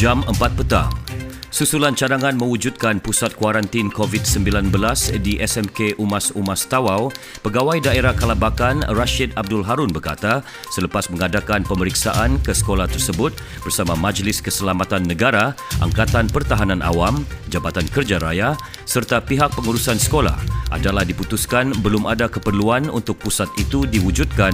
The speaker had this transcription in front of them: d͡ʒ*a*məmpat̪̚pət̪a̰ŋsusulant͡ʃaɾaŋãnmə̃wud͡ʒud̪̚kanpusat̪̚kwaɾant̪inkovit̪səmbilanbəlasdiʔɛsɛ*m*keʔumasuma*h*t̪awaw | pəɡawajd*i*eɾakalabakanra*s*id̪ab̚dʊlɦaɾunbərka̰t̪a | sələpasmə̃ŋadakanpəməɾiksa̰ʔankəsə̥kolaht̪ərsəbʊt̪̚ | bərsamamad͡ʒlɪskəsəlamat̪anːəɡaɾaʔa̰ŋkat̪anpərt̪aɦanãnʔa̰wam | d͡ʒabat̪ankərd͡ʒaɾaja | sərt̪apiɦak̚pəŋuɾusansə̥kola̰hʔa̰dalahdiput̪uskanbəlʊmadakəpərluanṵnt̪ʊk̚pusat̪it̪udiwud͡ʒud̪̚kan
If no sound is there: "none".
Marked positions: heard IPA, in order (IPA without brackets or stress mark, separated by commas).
a, m, s, a, ʃ